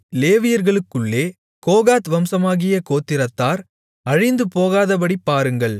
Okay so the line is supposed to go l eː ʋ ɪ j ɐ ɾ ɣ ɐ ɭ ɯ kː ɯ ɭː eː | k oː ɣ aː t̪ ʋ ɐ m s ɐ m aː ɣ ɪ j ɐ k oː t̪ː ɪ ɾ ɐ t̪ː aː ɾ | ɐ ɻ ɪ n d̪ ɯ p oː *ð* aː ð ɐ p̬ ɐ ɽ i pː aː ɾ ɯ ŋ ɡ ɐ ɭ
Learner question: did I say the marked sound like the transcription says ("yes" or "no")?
no